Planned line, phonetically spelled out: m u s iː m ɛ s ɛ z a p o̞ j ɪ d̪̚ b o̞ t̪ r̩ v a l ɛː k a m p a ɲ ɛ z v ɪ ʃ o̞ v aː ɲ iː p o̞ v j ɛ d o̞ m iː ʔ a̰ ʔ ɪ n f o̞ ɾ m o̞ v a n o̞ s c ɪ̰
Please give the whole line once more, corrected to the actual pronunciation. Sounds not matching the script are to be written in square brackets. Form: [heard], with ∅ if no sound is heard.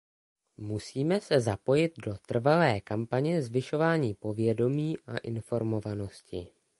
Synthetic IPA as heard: m u s iː m ɛ s ɛ z a p o̞ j ɪ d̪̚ [d] o̞ t̪ r̩ v a l ɛː k a m p a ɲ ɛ z v ɪ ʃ o̞ v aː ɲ iː p o̞ v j ɛ d o̞ m iː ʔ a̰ ʔ ɪ n f o̞ ɾ m o̞ v a n o̞ s c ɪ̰